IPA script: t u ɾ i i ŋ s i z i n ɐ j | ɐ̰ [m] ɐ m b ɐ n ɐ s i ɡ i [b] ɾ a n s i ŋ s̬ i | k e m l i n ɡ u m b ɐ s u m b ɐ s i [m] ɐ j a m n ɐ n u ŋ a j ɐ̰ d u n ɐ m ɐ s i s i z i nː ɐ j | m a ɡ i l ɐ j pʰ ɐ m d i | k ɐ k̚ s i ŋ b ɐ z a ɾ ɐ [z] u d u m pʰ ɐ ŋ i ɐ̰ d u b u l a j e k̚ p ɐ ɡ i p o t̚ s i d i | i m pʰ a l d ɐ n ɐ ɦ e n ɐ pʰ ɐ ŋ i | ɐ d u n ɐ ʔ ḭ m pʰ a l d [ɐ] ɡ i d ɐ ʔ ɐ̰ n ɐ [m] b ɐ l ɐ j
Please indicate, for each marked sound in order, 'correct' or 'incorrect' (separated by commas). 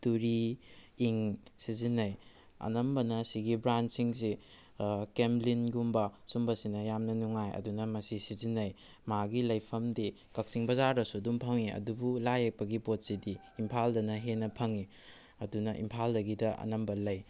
incorrect, correct, incorrect, incorrect, correct, correct